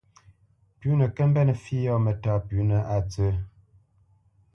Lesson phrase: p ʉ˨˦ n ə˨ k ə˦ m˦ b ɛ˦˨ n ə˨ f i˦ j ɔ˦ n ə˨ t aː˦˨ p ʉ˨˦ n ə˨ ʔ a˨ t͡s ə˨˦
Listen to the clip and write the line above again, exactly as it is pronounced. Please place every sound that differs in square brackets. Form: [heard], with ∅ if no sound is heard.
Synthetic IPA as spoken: p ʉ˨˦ n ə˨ k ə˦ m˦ b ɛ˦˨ n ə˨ f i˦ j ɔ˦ [m] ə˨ t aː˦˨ p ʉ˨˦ n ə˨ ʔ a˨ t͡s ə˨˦